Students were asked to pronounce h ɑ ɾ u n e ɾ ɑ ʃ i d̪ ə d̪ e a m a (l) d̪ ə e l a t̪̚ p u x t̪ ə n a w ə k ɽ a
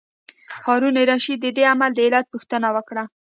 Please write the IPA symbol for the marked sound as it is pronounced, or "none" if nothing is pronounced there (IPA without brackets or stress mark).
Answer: l